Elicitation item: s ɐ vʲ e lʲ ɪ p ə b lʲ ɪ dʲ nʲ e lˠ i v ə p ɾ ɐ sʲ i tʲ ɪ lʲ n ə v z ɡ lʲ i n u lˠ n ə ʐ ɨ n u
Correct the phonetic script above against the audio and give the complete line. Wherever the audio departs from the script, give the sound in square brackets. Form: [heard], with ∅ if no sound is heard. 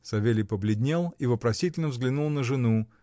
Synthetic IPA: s ɐ vʲ e lʲ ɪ p ə b lʲ ɪ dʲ nʲ e lˠ i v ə p ɾ ɐ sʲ i tʲ ɪ lʲ n ə v z ɡ lʲ [ɪ] n u lˠ n ə ʐ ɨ n u